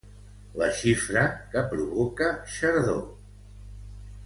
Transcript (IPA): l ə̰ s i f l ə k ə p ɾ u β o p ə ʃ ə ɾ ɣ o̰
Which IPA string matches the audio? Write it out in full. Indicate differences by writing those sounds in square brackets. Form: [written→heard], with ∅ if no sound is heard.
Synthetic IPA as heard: l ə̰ [s→ʃ] i f [l→ɾ] ə k ə p ɾ u β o [p→k] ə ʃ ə ɾ [ɣ→ð] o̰